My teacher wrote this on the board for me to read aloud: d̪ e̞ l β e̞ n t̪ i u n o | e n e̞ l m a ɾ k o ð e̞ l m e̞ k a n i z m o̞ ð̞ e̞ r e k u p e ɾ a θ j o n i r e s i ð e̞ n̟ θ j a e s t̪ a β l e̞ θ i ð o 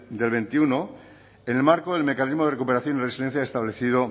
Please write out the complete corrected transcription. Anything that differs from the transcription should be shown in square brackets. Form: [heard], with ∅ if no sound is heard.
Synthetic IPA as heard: d̪ e̞ l β e̞ n t̪ i u n o | e n e̞ l m a ɾ k o ð e̞ l m e̞ k a n i z m o̞ ð̞ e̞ r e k u p e ɾ a θ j o n i r e s i ð e̞ n̟ θ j a e s t̪ a β l e̞ θ i ð o